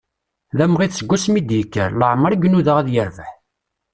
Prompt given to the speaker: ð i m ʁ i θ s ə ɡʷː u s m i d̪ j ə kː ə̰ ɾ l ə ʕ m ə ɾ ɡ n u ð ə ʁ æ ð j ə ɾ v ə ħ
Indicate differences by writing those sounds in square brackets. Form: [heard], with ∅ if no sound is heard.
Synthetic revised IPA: ð [æ] m ʁ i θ s ə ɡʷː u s m i d̪ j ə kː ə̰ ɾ l ə ʕ m ə ɾ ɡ n u ð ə ʁ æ ð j ə ɾ v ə ħ